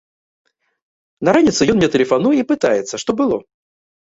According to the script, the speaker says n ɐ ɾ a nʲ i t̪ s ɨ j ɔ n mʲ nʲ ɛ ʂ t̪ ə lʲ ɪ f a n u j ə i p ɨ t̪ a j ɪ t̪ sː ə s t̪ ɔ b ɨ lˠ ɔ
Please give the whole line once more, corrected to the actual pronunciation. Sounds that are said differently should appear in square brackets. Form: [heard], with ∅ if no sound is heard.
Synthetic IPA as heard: n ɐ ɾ a nʲ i t̪ s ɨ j ɔ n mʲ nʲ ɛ [∅] t̪ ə lʲ ɪ f a n u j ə i p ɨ t̪ a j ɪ t̪ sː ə [ʂ] t̪ ɔ b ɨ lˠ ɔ